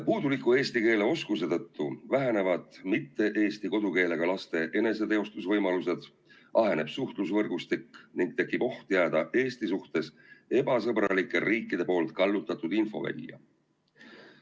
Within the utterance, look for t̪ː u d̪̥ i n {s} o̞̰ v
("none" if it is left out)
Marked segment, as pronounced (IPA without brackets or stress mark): f